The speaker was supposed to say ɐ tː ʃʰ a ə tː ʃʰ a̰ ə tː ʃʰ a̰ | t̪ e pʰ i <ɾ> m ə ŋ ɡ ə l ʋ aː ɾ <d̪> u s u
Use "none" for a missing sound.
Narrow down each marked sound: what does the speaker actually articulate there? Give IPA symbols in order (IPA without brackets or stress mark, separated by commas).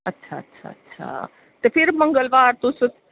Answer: ɾ, t̪